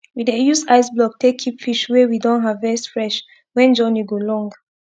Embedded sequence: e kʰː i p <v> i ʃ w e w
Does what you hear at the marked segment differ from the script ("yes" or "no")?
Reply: yes